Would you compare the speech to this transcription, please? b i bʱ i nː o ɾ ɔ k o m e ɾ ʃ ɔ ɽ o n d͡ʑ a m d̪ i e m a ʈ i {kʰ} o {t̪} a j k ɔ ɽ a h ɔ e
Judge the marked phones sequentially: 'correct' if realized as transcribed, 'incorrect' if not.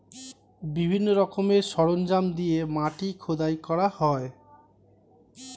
correct, incorrect: d̪

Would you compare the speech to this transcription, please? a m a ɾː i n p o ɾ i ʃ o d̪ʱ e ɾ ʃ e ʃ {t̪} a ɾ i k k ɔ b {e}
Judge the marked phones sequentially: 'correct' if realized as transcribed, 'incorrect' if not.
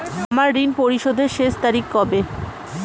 correct, correct

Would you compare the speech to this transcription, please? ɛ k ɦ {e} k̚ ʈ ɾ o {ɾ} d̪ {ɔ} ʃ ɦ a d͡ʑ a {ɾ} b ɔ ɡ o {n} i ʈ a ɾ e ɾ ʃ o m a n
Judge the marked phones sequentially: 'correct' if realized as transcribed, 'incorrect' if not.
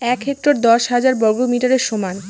correct, correct, correct, correct, incorrect: m

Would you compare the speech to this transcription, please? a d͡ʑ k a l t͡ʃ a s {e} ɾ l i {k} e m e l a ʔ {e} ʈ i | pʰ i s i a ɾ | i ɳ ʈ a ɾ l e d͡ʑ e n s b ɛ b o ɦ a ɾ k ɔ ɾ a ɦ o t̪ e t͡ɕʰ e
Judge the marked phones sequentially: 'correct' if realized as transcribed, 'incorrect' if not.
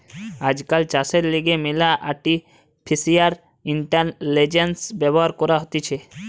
correct, incorrect: ɡ, incorrect: a

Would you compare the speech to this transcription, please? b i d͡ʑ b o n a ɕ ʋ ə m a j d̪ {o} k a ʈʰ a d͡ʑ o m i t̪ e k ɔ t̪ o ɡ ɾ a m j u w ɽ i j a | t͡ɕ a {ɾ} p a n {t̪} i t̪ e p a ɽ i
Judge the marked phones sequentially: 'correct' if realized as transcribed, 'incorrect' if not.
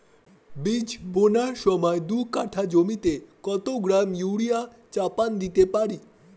incorrect: u, incorrect: none, incorrect: d̪

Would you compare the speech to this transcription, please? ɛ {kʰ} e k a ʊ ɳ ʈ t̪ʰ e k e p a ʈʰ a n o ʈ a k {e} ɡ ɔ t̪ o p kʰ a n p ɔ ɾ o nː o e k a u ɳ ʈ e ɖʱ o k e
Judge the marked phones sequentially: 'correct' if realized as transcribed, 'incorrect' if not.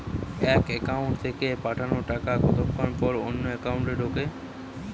incorrect: k, incorrect: a

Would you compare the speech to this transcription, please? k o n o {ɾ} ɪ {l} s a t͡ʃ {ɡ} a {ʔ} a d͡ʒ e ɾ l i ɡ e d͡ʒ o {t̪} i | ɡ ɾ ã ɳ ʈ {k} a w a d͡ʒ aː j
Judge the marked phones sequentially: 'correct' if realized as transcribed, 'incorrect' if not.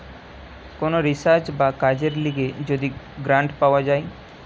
correct, incorrect: none, incorrect: b, incorrect: k, incorrect: d̪, incorrect: p

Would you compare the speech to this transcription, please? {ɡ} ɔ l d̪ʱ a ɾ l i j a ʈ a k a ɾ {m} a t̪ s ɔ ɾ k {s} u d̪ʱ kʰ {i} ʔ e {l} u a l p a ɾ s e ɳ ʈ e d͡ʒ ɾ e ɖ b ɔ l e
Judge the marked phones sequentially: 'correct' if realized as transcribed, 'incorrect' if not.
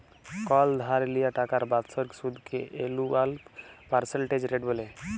incorrect: k, incorrect: b, correct, incorrect: e, correct

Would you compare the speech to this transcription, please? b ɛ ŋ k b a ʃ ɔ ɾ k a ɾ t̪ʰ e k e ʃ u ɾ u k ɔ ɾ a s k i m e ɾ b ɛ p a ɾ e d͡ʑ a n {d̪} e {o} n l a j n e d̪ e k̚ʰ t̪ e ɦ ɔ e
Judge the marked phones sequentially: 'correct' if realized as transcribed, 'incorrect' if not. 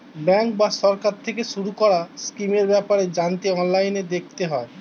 incorrect: t̪, incorrect: ɔ

